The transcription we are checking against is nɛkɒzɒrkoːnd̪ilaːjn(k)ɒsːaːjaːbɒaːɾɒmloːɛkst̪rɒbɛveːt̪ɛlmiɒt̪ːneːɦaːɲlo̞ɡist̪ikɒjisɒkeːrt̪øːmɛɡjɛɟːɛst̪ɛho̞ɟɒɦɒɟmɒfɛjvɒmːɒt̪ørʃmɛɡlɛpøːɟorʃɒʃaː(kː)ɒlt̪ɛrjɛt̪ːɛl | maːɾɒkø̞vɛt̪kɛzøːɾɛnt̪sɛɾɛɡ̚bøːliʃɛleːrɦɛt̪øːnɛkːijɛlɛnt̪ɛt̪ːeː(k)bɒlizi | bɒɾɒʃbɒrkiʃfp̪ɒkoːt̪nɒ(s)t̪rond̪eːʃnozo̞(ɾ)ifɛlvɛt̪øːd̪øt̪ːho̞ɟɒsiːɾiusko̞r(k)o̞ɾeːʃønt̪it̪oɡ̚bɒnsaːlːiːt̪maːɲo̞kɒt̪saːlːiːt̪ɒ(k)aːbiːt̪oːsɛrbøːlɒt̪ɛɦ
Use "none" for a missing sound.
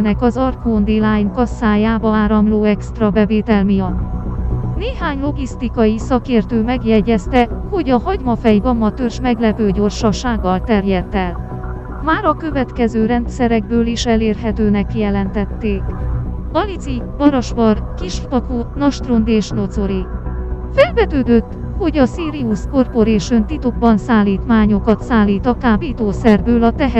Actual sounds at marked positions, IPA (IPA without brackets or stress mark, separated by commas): k, ɡː, k, ʃ, ɾ, p, k